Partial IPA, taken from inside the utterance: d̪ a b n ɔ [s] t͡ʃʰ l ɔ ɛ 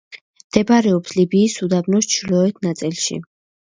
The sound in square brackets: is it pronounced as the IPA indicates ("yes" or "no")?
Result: yes